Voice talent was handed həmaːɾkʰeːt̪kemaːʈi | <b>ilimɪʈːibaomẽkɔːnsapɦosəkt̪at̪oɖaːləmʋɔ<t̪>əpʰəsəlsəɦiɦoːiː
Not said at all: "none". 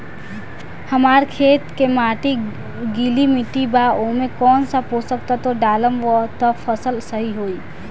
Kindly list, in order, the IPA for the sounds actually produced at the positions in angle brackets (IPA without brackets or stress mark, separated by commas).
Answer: ɡ, t̪